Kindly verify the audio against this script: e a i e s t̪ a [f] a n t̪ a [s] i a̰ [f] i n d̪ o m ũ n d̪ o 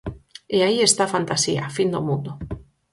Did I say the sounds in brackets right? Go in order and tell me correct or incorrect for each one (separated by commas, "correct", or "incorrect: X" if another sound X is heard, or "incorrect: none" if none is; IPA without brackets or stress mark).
correct, correct, correct